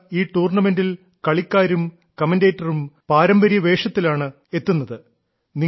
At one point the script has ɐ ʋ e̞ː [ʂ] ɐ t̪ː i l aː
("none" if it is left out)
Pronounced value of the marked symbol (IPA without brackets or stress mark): ʂ